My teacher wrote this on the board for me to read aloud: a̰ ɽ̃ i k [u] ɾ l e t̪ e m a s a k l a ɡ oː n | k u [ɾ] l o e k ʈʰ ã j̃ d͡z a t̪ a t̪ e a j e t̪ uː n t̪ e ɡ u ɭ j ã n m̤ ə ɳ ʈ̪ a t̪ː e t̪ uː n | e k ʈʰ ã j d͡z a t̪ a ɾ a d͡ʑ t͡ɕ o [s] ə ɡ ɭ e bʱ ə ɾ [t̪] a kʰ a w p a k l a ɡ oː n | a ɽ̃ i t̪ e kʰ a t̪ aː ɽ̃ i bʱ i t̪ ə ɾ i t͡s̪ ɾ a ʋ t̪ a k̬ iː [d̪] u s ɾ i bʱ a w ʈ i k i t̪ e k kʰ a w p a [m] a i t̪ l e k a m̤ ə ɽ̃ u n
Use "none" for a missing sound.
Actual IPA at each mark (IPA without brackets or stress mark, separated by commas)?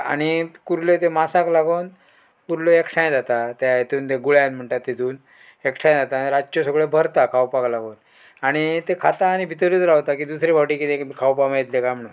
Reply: u, ɾ, s, t̪, d̪, m